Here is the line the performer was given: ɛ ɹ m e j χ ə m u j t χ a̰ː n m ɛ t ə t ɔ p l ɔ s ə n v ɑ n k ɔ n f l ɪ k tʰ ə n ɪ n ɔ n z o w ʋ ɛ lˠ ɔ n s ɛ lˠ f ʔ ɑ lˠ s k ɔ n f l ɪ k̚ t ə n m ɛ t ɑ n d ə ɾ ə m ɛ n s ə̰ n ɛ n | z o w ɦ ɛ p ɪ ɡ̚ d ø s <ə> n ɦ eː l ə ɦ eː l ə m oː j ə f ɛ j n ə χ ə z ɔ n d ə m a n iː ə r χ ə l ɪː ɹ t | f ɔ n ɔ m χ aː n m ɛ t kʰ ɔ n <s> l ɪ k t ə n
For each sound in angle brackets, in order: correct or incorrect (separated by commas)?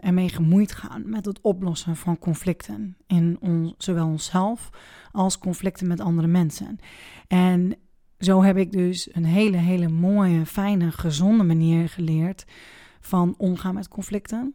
correct, incorrect